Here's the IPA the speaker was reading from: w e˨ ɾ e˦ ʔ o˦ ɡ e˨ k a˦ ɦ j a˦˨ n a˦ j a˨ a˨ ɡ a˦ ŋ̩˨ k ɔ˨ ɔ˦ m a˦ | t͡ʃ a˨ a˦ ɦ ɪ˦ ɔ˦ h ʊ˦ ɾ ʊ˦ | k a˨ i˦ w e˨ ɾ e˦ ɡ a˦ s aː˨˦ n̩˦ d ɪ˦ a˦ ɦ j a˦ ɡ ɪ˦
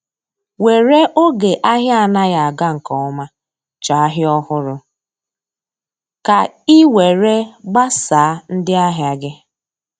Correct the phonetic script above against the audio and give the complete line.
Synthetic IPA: w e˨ ɾ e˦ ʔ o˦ ɡ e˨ ʔ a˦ ɦ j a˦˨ n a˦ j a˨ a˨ ɡ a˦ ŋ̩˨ k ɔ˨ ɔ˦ m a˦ | t͡ʃ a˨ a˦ ɦ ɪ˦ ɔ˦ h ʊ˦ ɾ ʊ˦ | k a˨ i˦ w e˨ ɾ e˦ ɡ͡b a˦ s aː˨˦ n̩˦ d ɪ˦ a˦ ɦ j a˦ ɡ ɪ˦

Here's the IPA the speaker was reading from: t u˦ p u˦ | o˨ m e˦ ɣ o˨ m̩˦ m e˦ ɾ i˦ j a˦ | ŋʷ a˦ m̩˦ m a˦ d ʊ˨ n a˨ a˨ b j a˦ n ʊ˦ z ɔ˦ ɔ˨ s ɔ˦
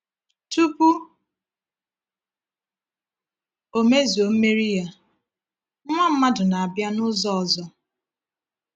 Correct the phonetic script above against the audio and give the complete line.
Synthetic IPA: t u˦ p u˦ | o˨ m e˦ z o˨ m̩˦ m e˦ ɾ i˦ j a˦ | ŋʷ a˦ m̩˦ m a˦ d ʊ˨ n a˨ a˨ b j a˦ n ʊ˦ z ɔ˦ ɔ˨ z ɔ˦

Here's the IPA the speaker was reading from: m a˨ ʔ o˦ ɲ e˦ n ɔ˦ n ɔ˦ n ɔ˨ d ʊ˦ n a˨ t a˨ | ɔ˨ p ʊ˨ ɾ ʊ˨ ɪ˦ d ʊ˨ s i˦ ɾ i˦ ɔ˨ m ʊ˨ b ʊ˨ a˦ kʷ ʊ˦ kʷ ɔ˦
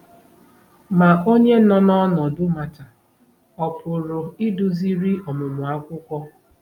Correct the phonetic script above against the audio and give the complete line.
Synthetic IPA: m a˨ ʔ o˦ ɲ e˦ n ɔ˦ n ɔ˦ n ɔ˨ d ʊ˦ m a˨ t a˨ | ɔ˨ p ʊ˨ ɾ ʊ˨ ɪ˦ d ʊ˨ z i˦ ɾ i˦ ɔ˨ m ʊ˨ m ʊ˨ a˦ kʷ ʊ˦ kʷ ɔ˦

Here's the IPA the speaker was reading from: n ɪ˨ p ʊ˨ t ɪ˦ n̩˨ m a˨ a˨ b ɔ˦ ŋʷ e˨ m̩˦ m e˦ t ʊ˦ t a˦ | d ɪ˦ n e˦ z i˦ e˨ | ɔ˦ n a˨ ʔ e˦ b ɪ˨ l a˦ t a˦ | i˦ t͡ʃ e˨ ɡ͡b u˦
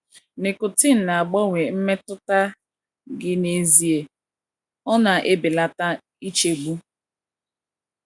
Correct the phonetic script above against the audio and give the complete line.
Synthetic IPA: n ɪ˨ k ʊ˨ t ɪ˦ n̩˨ n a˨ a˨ ɡ͡b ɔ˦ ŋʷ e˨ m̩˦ m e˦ t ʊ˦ t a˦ | ɡ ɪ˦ n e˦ z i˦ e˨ | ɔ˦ n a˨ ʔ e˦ b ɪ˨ l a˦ t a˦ | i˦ t͡ʃ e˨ ɡ͡b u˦

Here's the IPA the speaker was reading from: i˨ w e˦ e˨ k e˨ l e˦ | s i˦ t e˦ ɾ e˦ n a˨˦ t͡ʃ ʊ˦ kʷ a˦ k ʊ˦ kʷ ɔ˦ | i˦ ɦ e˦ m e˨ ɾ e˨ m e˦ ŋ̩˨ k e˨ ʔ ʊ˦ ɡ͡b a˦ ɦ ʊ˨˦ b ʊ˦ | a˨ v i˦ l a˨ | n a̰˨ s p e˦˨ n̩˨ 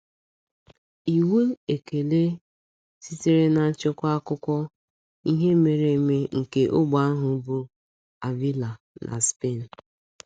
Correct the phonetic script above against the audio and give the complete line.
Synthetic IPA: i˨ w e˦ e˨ k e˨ l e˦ | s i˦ t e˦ ɾ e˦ n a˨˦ t͡ʃ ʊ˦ kʷ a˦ k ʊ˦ kʷ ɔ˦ | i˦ ɦ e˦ m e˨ ɾ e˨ m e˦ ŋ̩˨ k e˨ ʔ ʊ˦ ɡ͡b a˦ ɦ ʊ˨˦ b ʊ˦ | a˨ v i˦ l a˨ | n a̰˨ s p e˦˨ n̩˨

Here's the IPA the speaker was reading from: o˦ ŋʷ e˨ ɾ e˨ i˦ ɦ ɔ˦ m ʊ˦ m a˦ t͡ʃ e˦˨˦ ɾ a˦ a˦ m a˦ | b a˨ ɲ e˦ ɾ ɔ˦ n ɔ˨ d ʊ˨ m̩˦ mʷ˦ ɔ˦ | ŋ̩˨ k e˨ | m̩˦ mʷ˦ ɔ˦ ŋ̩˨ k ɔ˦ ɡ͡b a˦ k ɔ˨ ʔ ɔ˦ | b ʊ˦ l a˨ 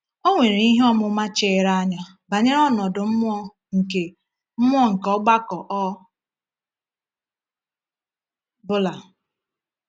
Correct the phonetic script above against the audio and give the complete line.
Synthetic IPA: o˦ ŋʷ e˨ ɾ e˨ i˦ ɦ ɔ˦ m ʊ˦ m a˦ t͡ʃ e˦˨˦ ɾ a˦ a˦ ɲ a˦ | b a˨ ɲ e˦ ɾ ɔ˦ n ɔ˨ d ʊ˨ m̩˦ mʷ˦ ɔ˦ | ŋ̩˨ k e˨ | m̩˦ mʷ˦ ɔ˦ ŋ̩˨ k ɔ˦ ɡ͡b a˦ k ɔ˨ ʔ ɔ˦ | b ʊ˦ l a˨

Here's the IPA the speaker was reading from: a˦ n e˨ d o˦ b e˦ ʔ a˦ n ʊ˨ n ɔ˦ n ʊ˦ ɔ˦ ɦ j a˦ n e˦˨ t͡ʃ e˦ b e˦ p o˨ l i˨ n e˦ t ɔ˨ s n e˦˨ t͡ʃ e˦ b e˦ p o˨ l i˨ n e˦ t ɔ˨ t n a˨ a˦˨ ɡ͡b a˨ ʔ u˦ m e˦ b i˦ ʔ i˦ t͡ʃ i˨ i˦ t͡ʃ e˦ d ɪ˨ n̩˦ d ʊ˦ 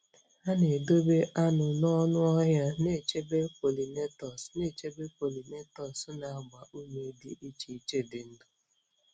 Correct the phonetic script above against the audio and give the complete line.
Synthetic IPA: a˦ n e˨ d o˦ b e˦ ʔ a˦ n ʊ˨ n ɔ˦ n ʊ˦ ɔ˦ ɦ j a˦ n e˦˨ t͡ʃ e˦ b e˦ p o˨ l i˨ n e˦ t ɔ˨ s n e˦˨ t͡ʃ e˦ b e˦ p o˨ l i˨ n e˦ t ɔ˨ s n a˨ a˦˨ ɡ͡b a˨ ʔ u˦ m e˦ d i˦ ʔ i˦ t͡ʃ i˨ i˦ t͡ʃ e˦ d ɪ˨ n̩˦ d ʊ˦

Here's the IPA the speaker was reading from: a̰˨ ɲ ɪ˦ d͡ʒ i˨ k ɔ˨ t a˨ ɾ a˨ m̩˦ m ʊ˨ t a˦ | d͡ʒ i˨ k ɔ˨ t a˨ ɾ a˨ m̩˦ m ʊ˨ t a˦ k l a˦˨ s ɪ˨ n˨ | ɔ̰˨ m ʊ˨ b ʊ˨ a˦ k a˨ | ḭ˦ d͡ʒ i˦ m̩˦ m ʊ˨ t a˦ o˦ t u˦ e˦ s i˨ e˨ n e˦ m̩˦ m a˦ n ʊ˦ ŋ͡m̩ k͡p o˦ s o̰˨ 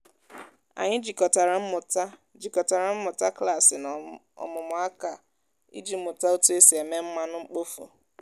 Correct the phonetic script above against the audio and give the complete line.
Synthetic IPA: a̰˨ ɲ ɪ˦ d͡ʒ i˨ k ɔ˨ t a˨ ɾ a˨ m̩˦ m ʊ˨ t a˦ | d͡ʒ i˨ k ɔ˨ t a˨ ɾ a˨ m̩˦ m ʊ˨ t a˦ k l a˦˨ s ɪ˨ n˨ | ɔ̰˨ m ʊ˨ m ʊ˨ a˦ k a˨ | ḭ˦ d͡ʒ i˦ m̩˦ m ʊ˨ t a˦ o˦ t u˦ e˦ s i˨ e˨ m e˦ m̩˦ m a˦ n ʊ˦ ŋ͡m̩ k͡p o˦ f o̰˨

